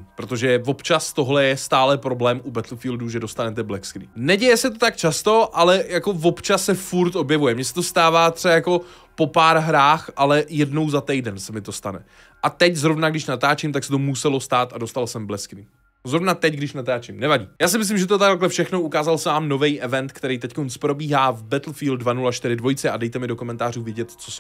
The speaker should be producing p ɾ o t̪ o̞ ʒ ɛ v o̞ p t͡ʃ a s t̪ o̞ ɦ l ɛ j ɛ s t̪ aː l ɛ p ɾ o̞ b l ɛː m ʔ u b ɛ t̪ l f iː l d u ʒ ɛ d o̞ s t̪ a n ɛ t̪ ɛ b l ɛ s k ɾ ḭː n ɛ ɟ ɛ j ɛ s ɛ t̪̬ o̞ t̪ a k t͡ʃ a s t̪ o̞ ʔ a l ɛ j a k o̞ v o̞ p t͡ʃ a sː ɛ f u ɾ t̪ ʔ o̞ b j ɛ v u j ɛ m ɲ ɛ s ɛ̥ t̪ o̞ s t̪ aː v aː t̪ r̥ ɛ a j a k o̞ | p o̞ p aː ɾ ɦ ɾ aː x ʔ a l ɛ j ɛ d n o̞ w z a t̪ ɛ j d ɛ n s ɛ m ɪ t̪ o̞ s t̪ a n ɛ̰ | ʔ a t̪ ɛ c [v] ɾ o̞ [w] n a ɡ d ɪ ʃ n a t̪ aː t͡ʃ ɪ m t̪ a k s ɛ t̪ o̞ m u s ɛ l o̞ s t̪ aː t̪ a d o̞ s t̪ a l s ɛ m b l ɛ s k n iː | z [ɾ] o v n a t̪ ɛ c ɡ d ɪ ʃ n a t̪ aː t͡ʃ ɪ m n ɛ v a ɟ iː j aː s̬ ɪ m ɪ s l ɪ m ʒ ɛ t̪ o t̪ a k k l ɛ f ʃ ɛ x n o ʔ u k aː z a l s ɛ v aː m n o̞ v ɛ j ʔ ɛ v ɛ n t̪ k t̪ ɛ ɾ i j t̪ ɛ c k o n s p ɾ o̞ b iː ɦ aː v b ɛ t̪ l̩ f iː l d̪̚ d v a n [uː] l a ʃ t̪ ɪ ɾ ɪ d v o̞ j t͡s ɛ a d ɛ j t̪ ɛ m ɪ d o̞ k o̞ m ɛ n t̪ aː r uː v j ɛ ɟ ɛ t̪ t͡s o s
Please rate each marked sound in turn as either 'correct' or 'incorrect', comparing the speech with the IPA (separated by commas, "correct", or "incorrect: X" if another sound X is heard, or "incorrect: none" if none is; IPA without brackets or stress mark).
incorrect: z, incorrect: v, correct, incorrect: u